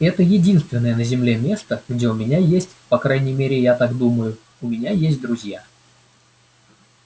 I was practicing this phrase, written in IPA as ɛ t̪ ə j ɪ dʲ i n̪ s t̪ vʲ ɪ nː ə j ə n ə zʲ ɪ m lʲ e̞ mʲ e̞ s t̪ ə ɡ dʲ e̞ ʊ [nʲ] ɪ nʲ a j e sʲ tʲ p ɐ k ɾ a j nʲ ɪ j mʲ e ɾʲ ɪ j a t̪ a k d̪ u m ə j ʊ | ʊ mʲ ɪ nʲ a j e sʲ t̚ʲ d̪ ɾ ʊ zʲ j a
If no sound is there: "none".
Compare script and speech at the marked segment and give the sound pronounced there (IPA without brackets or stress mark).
mʲ